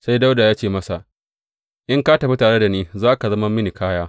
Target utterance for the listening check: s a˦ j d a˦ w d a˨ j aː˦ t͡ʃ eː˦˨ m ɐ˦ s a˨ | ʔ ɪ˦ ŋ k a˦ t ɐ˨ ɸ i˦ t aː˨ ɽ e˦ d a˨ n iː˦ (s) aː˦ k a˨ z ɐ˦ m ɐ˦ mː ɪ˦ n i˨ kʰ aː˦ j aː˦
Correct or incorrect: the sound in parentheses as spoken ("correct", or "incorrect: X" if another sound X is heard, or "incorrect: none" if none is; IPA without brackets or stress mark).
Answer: incorrect: z